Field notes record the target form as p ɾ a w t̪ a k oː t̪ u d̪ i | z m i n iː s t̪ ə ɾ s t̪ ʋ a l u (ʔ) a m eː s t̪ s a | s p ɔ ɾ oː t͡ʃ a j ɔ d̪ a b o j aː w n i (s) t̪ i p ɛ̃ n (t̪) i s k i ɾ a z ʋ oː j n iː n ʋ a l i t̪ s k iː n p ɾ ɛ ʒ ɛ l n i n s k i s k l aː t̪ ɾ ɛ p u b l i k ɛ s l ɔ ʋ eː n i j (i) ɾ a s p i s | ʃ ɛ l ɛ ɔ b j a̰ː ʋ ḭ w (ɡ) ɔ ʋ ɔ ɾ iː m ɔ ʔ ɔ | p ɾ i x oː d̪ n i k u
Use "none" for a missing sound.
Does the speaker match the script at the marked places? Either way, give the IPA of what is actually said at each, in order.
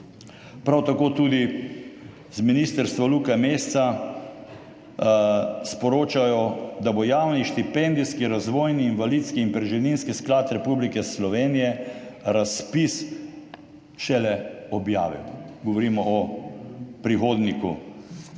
k, ʃ, d̪, ɛ, ɡ

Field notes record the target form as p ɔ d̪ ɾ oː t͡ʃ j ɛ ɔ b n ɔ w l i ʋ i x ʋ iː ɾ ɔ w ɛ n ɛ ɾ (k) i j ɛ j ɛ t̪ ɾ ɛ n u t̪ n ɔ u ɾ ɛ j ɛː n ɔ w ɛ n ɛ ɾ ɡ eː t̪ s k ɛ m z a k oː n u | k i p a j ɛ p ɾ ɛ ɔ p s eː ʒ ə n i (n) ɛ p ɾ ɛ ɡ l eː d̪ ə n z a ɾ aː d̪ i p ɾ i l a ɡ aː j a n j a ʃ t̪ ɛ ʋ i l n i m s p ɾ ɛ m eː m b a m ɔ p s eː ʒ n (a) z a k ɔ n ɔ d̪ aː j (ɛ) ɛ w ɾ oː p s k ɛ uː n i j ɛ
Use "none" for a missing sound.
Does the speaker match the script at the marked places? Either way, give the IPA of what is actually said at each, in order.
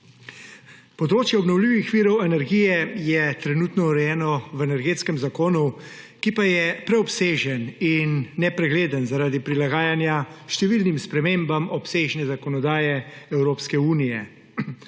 ɡ, nː, ɛ, ɛ

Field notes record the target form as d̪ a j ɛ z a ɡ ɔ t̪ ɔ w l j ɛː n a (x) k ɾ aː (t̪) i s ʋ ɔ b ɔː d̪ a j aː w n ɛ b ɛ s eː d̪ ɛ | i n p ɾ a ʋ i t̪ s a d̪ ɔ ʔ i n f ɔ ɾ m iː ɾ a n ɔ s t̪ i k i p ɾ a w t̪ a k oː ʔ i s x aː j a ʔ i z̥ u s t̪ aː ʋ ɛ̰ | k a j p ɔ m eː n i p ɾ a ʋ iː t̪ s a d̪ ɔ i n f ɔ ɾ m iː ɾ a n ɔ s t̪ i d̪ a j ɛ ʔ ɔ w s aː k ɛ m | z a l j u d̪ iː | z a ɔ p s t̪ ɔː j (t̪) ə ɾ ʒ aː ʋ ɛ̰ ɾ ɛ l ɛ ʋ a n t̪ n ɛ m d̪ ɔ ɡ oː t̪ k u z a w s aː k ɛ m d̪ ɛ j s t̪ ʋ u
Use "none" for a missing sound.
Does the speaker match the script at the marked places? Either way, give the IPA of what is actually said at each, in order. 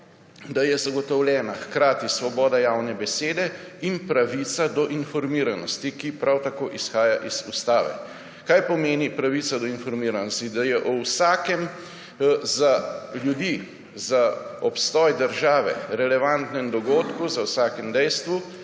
x, t̪, d̪

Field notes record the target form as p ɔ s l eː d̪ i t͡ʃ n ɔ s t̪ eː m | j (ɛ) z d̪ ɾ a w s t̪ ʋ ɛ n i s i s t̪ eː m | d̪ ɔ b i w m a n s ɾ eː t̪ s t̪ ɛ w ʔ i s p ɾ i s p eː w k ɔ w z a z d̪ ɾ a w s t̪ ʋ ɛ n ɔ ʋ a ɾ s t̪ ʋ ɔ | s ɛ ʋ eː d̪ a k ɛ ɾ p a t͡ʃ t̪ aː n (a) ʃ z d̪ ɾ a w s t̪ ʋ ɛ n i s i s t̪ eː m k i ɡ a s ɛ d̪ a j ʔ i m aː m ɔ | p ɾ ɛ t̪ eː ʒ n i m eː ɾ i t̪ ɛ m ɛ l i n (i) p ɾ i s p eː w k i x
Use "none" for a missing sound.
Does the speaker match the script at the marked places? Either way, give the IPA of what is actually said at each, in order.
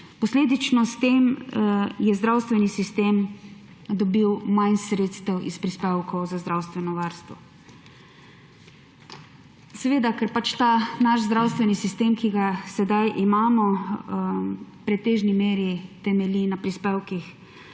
ɛ, a, a

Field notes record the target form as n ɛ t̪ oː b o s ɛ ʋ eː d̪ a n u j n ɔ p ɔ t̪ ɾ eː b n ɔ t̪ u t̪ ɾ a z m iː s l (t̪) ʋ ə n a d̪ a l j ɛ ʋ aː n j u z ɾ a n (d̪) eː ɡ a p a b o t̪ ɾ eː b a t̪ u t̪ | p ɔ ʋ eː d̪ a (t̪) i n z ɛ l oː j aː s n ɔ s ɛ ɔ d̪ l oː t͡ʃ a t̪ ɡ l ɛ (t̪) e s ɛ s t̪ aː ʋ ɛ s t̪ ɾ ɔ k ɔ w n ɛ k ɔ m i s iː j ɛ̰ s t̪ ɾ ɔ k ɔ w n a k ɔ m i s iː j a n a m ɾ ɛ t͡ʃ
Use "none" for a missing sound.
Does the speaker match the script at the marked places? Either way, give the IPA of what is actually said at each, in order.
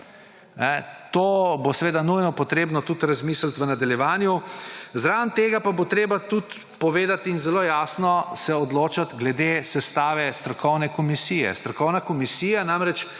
t̪, t̪, t̪, d̪

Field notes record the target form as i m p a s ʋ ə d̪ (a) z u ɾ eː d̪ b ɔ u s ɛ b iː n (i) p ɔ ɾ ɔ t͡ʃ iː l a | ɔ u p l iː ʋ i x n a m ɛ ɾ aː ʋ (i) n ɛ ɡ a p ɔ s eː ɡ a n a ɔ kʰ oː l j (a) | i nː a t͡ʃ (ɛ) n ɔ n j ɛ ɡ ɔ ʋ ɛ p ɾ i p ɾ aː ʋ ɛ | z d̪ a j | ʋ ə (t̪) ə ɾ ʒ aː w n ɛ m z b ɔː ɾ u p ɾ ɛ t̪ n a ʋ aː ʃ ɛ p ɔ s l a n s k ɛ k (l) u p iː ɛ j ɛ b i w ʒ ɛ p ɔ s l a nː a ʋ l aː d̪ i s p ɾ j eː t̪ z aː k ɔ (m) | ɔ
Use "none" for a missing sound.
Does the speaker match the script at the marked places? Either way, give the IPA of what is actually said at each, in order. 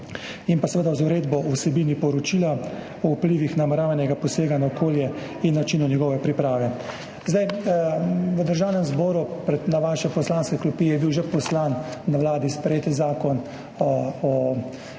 a, i, a, ɛ, i, d̪, l, n

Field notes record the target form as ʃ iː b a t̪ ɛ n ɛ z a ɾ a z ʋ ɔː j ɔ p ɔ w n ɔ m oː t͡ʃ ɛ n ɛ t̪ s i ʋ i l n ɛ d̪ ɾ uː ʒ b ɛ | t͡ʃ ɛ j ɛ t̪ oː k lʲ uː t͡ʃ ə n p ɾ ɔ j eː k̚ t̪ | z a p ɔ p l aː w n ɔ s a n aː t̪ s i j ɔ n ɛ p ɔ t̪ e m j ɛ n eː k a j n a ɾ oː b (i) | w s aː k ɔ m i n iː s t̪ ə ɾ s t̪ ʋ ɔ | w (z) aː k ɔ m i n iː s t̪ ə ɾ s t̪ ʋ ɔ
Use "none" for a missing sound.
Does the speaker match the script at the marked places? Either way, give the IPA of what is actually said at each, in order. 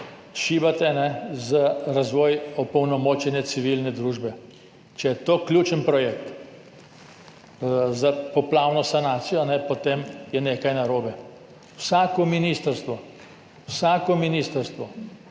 ɛ, s

